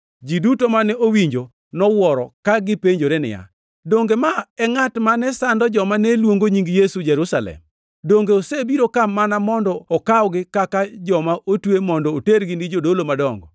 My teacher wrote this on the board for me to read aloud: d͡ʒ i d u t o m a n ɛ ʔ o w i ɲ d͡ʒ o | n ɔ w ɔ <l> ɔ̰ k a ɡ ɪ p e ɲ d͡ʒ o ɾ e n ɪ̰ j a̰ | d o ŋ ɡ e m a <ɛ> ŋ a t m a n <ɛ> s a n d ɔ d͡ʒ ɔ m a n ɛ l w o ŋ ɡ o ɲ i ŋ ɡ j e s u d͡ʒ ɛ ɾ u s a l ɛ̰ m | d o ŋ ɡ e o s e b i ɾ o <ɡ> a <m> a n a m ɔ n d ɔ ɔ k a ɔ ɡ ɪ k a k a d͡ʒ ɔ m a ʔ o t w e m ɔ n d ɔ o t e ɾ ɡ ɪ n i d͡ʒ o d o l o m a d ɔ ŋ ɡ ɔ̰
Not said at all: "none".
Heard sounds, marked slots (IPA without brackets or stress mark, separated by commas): ɾ, ɛ, ɛ, k, m